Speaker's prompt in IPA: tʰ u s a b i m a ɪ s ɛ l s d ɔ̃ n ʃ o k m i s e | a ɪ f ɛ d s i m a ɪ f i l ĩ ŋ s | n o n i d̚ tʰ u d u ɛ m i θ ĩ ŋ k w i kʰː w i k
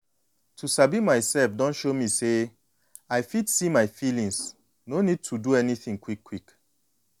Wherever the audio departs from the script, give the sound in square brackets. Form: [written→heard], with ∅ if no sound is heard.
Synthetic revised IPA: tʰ u s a b i m a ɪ s ɛ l [s→f] d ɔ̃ n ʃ o [k→∅] m i s e | a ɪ f [ɛ→i] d s i m a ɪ f i l ĩ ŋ s | n o n i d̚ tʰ u d u ɛ [m→n] i θ ĩ ŋ k w i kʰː w i k